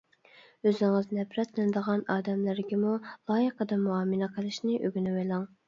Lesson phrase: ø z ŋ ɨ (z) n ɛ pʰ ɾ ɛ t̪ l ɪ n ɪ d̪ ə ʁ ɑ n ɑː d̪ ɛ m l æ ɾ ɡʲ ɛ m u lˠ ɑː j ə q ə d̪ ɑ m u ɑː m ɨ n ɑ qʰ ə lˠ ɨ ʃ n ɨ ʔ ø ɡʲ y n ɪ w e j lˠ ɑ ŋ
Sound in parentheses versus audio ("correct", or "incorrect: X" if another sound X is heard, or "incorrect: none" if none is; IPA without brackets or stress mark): correct